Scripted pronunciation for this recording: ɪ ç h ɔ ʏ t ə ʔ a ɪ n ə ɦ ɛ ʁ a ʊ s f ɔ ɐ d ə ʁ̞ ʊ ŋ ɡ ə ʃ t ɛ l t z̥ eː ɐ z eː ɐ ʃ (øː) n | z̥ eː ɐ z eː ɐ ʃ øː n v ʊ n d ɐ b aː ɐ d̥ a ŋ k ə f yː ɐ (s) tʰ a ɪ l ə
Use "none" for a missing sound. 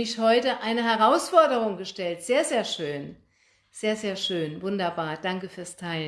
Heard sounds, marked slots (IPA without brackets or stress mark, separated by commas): øː, s